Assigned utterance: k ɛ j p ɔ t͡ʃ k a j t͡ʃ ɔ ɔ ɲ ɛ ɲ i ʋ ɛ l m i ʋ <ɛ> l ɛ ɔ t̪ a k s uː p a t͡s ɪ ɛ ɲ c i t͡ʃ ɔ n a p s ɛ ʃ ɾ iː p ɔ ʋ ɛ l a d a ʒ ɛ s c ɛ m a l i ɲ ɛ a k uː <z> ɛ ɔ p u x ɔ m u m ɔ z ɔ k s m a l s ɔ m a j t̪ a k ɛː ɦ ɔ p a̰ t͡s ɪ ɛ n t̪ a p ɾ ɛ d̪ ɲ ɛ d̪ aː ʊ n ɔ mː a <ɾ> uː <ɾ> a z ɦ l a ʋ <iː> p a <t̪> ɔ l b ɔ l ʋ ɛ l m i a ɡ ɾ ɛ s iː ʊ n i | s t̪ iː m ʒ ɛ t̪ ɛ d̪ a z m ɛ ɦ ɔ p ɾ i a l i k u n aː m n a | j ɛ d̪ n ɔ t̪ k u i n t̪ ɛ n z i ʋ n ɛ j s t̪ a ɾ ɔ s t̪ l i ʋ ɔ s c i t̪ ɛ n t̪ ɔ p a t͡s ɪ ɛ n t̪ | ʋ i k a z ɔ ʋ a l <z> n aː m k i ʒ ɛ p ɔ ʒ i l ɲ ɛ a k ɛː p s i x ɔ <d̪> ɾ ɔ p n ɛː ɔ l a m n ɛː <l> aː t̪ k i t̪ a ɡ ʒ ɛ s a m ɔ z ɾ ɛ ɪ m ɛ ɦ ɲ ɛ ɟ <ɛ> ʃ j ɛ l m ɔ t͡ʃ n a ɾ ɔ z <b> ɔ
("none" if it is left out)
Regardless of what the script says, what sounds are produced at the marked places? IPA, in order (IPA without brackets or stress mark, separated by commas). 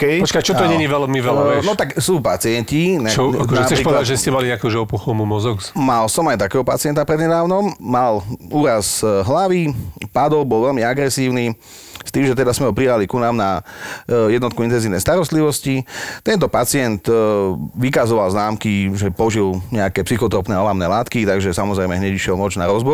ɛ, ʒ, l, ɾ, i, d̪, z, t̪, l, i, b